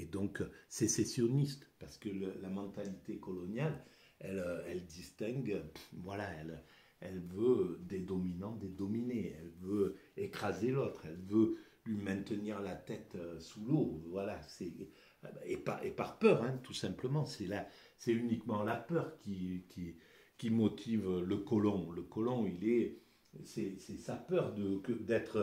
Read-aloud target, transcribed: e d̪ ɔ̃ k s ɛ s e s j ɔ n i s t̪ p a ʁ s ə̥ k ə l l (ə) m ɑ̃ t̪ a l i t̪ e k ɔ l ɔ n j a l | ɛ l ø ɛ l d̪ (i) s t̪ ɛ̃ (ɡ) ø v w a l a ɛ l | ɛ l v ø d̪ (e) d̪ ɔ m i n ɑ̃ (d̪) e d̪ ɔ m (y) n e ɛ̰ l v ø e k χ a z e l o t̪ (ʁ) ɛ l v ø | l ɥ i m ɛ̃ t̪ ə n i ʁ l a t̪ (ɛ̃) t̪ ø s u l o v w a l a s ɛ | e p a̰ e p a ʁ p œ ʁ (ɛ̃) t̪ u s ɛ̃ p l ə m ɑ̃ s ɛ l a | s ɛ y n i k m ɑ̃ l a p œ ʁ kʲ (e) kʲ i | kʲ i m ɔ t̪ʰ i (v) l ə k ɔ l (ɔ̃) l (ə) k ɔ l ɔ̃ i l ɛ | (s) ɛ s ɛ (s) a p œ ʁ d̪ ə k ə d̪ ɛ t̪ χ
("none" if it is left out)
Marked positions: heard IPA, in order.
a, i, ɡ, e, d̪, i, χ, ɛ, ɛ̃, i, v, ɔ̃, ə, s, s

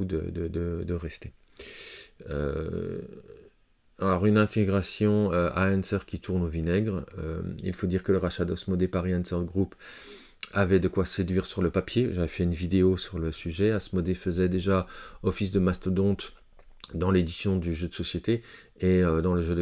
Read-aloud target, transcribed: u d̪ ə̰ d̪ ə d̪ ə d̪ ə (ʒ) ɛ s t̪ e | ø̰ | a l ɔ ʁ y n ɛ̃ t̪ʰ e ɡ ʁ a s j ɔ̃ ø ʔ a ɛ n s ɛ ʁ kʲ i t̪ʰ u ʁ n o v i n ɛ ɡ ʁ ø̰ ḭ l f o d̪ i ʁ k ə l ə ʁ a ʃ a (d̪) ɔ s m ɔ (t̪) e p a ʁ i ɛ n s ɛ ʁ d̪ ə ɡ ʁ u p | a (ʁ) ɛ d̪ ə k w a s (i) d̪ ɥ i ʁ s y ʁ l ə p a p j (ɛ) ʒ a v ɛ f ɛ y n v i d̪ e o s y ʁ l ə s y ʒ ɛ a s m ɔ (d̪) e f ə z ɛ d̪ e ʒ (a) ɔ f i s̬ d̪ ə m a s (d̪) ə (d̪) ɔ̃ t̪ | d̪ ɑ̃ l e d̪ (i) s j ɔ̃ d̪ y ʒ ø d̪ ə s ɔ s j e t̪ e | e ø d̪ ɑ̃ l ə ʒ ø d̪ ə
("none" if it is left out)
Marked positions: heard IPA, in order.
ʁ, d̪, d̪, v, e, e, d̪, a, t̪, d̪, i

